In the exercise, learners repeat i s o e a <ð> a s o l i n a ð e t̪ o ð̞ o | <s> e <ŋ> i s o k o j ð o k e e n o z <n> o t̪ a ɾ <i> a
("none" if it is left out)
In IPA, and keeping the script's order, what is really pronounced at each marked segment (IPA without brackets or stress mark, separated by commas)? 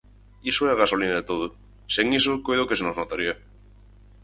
ɣ, s, ŋ, n, i